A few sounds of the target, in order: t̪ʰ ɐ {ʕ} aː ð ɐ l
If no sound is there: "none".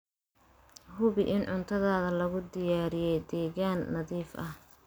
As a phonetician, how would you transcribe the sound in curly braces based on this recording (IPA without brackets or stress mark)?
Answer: ð